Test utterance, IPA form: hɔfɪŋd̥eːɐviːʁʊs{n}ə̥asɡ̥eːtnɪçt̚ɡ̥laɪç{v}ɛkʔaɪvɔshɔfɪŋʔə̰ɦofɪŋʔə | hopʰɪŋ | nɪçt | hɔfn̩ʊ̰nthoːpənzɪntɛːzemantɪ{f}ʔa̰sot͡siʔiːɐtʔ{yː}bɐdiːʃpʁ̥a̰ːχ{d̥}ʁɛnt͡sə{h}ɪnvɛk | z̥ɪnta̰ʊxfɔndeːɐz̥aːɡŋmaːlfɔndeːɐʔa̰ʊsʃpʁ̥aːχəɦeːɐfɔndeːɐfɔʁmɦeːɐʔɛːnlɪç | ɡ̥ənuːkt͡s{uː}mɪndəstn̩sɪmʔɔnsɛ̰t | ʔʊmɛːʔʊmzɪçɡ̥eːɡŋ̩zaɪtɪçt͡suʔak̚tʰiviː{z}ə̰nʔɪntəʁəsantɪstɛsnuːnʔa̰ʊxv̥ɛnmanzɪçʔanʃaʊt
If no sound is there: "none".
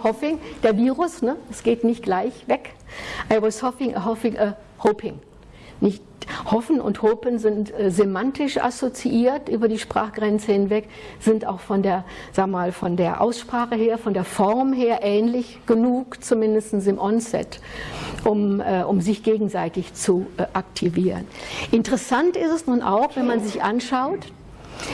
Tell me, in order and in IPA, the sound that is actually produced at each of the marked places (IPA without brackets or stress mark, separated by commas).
n, v, ʃ, yː, ɡ̥, h, u, ʁ